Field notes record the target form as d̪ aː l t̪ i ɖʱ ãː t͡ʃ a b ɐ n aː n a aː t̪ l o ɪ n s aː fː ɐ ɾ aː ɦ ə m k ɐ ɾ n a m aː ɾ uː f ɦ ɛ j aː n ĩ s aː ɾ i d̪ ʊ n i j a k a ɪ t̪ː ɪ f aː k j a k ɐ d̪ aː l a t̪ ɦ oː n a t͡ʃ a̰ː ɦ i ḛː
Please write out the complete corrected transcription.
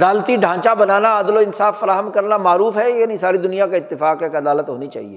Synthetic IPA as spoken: d̪ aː l t̪ i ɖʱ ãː t͡ʃ a b ɐ n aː n a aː d̪ l o ɪ n s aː fː ɐ ɾ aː ɦ ə m k ɐ ɾ n a m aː ɾ uː f ɦ ɛ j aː n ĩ s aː ɾ i d̪ ʊ n i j a k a ɪ t̪ː ɪ f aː k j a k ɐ d̪ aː l ə t̪ ɦ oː n i t͡ʃ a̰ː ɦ i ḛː